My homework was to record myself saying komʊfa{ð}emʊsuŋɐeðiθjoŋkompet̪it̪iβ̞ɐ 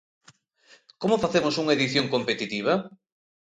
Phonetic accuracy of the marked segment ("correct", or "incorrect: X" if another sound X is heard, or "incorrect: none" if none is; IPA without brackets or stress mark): incorrect: θ